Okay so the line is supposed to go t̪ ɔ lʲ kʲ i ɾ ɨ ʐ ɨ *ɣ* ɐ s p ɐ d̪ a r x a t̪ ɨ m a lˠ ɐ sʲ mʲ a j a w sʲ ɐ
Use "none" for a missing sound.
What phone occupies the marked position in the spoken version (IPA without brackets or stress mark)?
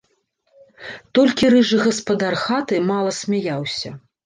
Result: ɣ